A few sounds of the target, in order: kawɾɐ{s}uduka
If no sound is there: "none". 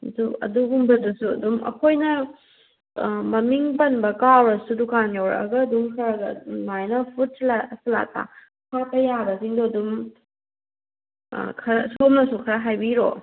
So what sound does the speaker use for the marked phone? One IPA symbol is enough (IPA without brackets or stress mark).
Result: s